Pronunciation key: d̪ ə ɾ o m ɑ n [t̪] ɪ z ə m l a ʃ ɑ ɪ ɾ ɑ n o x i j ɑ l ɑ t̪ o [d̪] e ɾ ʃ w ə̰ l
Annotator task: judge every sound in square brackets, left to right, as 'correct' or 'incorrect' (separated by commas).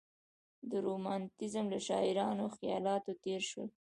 correct, incorrect